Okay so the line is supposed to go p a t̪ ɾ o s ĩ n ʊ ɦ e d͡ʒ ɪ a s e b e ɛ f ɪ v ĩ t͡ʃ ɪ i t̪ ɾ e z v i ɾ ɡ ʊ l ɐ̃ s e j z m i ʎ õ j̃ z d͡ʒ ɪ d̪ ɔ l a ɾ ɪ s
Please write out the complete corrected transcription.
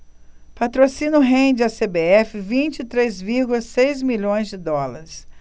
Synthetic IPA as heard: p a t̪ ɾ o s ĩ n ʊ ɦ ẽ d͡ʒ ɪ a s e b e ɛ f ɪ v ĩ t͡ʃ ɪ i t̪ ɾ e z v i ɾ ɡ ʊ l ɐ s e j z m i ʎ õ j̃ z d͡ʒ ɪ d̪ ɔ l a ɾ ɪ s